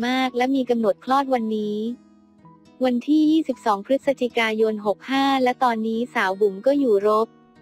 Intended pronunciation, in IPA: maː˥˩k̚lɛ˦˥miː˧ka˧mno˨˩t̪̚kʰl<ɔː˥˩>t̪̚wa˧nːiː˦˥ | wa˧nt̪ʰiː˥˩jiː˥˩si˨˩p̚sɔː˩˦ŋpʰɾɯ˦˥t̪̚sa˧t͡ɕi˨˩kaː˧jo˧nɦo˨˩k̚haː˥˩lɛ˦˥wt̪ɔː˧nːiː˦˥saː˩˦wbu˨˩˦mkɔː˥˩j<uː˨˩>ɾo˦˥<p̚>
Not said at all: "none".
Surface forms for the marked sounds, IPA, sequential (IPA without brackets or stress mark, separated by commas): ɔː˥˩, uː˨˩, p̚